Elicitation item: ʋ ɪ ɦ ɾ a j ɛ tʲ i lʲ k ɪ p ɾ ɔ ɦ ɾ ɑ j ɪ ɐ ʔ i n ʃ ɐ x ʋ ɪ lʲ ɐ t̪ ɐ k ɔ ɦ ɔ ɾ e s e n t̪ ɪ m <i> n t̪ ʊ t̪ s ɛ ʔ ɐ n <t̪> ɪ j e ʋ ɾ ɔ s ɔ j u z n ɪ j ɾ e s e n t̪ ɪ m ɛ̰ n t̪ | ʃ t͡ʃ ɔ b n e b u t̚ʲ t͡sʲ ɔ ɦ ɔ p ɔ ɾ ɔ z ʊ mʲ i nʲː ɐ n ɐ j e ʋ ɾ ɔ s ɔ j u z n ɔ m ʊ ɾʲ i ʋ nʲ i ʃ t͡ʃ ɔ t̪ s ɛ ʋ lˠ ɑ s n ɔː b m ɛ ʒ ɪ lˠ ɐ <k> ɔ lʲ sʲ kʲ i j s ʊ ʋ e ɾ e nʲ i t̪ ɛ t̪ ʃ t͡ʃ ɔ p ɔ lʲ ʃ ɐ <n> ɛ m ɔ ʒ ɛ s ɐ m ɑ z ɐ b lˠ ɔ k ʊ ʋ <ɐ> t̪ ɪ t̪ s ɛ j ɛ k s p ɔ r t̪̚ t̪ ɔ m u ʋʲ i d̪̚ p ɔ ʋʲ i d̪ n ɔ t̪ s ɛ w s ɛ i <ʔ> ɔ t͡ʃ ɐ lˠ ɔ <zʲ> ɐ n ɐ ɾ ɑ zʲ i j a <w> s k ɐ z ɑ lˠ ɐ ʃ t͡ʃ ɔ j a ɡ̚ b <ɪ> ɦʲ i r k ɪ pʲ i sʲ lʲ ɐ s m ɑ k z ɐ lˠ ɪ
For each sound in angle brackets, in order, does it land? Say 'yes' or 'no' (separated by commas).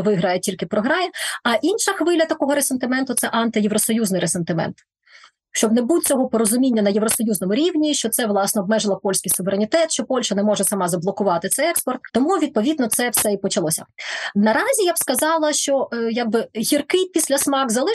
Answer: no, yes, no, yes, no, no, no, no, yes